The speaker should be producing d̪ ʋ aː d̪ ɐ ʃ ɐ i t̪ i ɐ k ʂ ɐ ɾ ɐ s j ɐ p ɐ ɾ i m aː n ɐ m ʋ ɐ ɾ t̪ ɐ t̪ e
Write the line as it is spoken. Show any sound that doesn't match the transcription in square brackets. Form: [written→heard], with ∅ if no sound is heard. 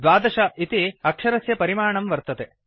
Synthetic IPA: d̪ ʋ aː d̪ ɐ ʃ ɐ i t̪ i ɐ k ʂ ɐ ɾ ɐ s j ɐ p ɐ ɾ i m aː [n→ɳ] ɐ m ʋ ɐ ɾ t̪ ɐ t̪ e